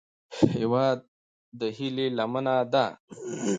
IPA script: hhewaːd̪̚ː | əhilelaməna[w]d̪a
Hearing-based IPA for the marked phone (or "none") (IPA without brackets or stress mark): none